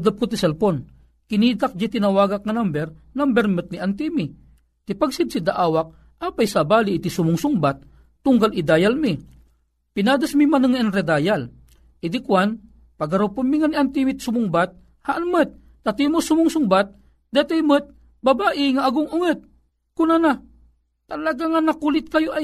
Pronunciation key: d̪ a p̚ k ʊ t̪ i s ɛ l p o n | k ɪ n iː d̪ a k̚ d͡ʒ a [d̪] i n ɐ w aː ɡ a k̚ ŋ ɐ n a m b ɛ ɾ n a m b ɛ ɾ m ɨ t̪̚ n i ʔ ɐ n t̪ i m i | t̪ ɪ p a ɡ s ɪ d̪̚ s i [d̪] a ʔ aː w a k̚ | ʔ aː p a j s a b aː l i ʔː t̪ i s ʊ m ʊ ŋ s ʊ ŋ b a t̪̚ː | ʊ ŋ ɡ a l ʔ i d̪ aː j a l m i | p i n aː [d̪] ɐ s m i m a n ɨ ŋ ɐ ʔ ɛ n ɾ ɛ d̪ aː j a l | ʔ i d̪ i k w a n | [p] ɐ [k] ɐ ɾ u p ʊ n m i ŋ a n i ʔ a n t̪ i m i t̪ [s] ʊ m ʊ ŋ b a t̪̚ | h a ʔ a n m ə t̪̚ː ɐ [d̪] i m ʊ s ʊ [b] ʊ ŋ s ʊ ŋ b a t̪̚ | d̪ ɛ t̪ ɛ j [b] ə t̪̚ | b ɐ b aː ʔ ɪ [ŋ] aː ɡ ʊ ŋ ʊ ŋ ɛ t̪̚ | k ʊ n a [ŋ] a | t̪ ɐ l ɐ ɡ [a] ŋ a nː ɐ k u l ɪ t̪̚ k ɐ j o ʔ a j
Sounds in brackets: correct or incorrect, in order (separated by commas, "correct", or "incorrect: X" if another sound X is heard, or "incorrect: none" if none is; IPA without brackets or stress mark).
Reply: incorrect: t̪, correct, correct, correct, incorrect: ɡ, correct, incorrect: t̪, incorrect: m, incorrect: m, correct, incorrect: n, correct